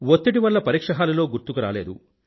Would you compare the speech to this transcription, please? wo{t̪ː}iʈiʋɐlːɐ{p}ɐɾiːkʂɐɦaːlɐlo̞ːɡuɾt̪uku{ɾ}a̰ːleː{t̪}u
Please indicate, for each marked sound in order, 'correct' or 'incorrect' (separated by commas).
correct, correct, correct, incorrect